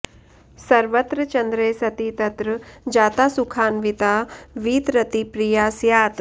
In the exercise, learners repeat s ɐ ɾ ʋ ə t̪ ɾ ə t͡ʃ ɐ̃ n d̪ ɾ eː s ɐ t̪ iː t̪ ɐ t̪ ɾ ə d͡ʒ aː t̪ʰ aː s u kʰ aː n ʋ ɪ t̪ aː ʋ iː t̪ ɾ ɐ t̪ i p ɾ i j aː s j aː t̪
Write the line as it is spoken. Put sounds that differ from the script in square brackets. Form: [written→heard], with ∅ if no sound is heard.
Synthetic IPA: s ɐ ɾ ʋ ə t̪ ɾ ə t͡ʃ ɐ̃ n d̪ ɾ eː s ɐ t̪ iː t̪ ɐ t̪ ɾ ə d͡ʒ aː [t̪ʰ→t̪] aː s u kʰ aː n ʋ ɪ t̪ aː ʋ iː t̪ ɾ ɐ t̪ i p ɾ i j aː s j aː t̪